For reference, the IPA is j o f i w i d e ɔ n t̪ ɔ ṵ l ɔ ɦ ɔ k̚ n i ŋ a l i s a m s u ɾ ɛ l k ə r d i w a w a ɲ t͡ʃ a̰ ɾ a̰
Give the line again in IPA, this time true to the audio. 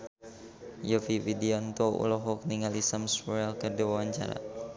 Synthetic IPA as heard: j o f i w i d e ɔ n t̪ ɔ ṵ l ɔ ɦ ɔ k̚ n i ŋ a l i s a m s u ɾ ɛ l k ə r d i w a w a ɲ t͡ʃ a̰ ɾ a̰